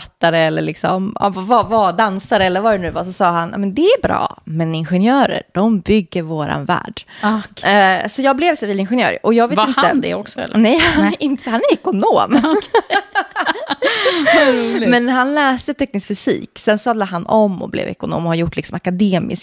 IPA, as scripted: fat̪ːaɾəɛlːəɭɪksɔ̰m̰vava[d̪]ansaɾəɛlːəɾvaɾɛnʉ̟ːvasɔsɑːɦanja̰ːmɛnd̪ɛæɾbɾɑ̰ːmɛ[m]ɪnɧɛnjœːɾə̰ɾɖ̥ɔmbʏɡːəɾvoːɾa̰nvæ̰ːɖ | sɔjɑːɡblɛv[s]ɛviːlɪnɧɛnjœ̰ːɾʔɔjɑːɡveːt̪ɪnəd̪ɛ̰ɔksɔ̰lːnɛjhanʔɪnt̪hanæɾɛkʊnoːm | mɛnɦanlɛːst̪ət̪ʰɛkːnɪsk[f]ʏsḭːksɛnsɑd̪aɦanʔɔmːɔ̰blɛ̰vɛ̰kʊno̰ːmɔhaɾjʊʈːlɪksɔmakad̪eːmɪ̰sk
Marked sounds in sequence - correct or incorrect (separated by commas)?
correct, incorrect, correct, correct